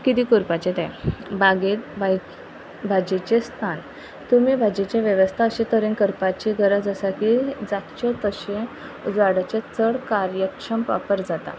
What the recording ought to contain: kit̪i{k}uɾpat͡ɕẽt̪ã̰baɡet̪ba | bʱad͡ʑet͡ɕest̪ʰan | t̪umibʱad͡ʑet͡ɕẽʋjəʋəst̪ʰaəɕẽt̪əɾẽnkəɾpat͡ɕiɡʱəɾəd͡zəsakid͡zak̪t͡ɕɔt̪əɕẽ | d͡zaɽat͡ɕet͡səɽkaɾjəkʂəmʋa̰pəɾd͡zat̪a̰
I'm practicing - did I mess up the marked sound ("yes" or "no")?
no